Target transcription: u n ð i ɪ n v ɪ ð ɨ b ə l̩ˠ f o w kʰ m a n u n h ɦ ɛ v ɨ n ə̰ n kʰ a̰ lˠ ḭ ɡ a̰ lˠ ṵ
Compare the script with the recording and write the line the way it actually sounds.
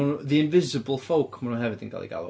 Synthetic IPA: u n ð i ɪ n v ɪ z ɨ b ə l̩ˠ f o w kʰ m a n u n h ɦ ɛ v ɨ d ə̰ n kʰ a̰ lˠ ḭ ɡ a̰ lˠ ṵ

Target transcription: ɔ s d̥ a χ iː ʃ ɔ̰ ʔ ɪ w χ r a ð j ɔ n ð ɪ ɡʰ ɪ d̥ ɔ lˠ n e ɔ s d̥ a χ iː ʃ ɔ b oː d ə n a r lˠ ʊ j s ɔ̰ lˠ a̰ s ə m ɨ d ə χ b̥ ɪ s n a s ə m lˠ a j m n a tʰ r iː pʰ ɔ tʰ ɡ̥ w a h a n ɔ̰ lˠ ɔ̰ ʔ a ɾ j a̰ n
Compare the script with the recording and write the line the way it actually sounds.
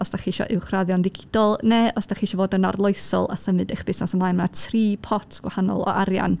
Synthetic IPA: ɔ s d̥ a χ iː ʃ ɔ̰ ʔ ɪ w χ r a ð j ɔ n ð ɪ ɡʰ ɪ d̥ ɔ lˠ n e ɔ s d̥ a χ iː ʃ ɔ v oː d ə n a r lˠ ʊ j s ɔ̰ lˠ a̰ s ə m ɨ d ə χ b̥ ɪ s n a s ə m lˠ a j m n a tʰ r iː pʰ ɔ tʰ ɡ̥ w a h a n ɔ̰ lˠ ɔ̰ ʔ a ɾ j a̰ n

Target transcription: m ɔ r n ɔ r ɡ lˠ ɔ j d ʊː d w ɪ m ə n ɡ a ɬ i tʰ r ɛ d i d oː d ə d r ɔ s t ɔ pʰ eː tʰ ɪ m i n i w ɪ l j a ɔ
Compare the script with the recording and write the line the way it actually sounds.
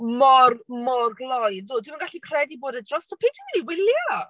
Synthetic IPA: m ɔ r m ɔ r ɡ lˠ ɔ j d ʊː d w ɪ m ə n ɡ a ɬ i kʰ r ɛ d i b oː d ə d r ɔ s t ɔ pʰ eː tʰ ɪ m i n i w ɪ l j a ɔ

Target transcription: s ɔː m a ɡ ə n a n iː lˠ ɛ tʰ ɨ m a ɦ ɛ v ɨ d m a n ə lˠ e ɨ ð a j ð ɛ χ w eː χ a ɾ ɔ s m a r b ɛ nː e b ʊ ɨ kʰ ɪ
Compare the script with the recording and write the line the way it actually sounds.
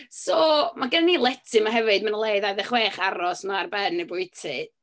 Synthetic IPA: s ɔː m a ɡ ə n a n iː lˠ ɛ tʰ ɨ m a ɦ ɛ v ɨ d m a n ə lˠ e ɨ ð a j ð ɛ χ w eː χ a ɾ ɔ s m a r b ɛ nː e b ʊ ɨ tʰ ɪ

